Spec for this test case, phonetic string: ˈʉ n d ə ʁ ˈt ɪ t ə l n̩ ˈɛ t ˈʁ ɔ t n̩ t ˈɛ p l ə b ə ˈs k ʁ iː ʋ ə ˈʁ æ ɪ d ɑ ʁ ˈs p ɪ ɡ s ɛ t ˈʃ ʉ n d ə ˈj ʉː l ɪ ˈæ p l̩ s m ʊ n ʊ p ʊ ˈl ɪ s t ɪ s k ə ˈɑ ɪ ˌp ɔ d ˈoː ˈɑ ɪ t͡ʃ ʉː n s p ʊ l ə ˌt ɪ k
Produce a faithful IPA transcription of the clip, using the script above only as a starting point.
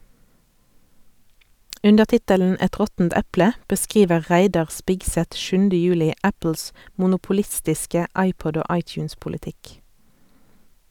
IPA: ˈʉ n d ə ʁ ˈt ɪ t ə l n̩ ˈɛ t ˈʁ ɔ t n̩ t ˈɛ p l ə b ə ˈs k ʁ iː ʋ ə ˈʁ æ ɪ d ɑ ʁ ˈs p ɪ ɡ s ɛ t ˈʃ ʉ n d ə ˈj ʉː l ɪ ˈæ p l̩ s m ʊ n ʊ p ʊ ˈl ɪ s t ɪ s k ə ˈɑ ɪ ˌp ɔ d ˈoː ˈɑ ɪ t͡ʃ ʉː n s p ʊ l ə ˌt ɪ k